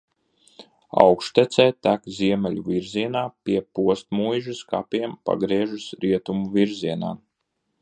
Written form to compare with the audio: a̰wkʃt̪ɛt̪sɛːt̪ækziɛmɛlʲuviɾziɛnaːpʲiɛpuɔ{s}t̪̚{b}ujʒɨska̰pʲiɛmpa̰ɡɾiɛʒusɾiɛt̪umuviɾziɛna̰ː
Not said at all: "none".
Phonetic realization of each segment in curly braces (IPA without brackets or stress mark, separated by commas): s, m